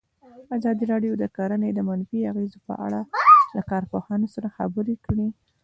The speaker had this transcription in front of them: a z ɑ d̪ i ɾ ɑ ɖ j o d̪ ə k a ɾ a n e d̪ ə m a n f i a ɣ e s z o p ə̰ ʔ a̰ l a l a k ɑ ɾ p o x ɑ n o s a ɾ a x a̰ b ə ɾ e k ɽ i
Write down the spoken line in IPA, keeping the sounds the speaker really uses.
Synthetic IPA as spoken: a z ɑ d̪ i ɾ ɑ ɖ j o d̪ ə k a ɾ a n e d̪ ə m a n f i a ɣ e z o p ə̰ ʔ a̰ ɽ a l a k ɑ ɾ p o h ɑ n o s a ɾ a x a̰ b ə ɾ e k ɽ i